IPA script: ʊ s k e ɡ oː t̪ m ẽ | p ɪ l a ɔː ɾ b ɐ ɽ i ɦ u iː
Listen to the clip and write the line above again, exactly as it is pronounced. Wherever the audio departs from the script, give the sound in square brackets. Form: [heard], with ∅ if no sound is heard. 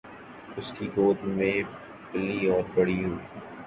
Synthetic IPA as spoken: ʊ s k [i] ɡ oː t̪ m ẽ | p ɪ l [i] ɔː ɾ b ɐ ɽ i ɦ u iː